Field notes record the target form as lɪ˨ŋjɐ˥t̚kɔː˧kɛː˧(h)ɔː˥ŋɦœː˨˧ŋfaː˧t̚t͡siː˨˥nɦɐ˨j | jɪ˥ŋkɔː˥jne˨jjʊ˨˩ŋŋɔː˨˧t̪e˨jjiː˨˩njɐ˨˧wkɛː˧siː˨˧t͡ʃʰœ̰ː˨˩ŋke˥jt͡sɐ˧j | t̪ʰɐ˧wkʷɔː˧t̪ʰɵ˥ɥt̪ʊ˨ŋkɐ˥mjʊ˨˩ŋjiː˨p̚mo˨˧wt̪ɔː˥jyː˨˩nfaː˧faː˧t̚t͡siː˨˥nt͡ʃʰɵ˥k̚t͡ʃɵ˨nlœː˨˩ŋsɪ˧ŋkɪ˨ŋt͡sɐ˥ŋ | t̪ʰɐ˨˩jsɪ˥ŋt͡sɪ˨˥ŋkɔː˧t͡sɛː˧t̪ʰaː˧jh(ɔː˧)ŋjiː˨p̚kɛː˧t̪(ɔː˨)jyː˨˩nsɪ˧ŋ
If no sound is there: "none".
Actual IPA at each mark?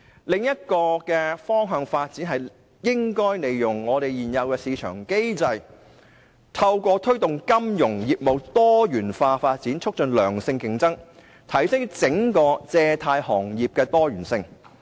f, ɔː˨˩, ɔː˥

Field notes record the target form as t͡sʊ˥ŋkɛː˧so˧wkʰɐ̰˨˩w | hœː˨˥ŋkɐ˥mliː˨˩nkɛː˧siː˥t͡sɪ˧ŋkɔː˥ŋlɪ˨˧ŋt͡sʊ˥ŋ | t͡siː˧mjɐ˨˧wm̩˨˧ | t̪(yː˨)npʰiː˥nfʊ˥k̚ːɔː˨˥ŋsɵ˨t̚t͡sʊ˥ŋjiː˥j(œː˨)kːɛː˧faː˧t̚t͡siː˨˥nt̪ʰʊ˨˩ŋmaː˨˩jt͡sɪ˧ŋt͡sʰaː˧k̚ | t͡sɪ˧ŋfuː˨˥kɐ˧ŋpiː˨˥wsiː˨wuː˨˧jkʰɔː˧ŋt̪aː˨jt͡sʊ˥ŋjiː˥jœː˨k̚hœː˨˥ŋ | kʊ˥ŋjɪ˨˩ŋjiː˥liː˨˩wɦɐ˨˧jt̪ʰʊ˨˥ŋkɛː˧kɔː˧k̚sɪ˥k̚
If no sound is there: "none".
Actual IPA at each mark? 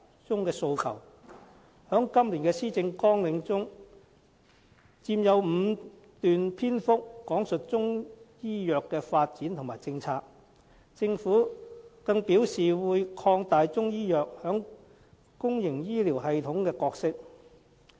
yː˨, œː˨

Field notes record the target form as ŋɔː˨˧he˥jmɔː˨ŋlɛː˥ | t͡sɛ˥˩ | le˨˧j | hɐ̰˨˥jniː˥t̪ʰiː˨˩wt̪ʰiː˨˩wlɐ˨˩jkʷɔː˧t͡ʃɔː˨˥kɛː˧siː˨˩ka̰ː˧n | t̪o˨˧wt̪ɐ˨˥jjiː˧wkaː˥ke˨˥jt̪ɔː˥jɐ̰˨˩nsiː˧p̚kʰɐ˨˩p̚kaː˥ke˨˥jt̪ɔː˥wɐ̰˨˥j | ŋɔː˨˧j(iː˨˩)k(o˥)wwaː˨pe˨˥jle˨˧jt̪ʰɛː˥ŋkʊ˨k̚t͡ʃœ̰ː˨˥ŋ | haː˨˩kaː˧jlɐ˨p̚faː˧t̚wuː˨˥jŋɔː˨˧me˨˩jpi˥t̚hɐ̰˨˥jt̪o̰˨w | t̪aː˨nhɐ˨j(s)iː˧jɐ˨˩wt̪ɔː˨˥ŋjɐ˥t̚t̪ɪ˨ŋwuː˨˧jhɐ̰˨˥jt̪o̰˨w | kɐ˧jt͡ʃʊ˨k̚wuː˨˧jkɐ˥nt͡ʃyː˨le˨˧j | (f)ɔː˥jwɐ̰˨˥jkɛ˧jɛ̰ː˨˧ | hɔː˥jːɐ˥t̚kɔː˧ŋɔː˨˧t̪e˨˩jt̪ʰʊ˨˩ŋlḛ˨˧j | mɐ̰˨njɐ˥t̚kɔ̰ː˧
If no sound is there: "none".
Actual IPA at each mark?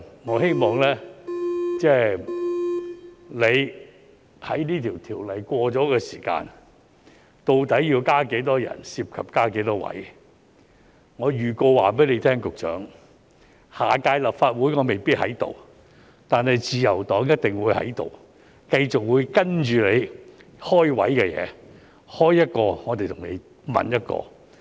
yː˨˩, o˧, t͡s, h

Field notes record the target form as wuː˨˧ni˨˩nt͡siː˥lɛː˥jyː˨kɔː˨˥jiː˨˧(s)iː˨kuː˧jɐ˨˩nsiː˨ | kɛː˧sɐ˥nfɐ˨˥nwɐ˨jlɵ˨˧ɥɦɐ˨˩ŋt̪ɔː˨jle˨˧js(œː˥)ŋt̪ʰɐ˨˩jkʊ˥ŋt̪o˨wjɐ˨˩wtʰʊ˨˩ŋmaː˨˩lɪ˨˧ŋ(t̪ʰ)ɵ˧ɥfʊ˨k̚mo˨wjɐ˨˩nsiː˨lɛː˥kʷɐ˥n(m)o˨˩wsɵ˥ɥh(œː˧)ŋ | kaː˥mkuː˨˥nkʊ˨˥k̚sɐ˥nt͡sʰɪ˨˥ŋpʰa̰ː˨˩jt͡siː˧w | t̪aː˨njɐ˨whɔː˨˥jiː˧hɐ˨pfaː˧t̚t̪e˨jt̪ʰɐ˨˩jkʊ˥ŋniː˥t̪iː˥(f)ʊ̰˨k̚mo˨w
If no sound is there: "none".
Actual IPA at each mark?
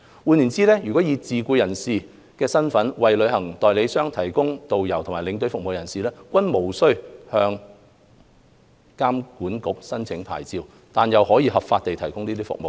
t͡s, œː˥, t̪, m, œː˧, f

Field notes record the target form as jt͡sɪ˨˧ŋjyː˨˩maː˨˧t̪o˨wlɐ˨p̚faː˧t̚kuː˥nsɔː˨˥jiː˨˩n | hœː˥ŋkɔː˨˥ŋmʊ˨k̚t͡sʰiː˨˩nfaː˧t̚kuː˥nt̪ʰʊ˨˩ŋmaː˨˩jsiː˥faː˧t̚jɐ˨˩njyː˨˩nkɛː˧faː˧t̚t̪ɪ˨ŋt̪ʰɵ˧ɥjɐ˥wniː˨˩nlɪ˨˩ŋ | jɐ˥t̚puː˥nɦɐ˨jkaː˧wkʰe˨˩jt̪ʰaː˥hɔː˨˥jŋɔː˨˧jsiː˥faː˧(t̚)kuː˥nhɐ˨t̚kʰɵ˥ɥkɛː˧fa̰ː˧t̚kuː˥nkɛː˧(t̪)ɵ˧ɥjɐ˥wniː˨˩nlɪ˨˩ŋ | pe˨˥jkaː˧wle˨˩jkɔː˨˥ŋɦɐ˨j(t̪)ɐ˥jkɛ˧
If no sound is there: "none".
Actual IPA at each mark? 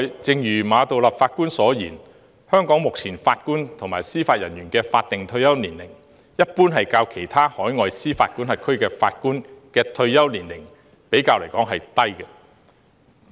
t̚, t̪ʰ, t̪

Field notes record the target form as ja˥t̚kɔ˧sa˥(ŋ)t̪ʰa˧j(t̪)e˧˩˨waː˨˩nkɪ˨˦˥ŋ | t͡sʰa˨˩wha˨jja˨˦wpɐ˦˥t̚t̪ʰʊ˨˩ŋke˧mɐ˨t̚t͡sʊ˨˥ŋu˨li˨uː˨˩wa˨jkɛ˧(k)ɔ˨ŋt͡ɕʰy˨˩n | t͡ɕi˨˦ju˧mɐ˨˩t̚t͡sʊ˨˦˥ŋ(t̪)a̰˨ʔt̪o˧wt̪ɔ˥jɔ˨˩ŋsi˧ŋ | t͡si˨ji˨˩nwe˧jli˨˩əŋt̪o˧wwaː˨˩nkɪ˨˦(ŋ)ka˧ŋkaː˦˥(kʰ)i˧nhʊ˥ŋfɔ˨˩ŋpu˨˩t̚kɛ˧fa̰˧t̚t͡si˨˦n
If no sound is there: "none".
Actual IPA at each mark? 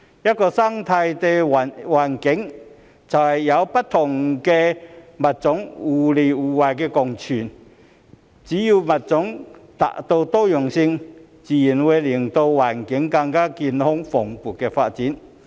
ŋ, t̪, k, t̪, ŋ, k

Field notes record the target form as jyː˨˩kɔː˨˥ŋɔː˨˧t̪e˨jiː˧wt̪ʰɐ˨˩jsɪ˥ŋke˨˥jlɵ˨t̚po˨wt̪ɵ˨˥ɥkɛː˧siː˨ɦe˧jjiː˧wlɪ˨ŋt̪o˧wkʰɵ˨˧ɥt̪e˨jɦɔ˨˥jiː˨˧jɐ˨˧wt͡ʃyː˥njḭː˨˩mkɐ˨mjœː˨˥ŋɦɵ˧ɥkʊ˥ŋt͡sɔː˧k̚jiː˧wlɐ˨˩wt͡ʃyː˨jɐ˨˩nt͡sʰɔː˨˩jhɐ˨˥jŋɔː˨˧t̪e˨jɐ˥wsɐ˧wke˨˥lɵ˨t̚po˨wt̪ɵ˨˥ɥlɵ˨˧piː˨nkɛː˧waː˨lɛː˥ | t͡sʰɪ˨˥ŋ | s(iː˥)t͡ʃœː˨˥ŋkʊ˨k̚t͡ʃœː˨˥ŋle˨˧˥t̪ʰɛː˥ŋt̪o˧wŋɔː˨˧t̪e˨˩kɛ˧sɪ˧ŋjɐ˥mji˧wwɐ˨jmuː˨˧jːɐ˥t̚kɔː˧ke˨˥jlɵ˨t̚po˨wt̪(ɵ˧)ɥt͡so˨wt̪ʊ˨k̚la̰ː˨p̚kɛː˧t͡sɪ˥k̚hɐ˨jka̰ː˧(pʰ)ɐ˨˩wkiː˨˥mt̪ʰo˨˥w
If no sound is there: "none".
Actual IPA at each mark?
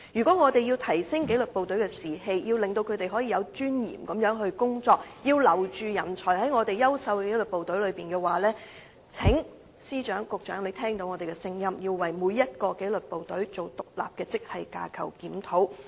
iː˥, ɵ˨˥, kʰ

